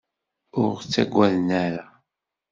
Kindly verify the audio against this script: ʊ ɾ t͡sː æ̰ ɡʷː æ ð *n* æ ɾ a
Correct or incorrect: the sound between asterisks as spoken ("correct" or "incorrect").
correct